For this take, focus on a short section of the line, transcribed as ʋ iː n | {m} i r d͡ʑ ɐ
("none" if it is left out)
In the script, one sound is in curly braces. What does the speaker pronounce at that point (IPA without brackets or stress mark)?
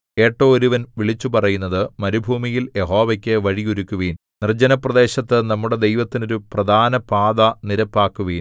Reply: n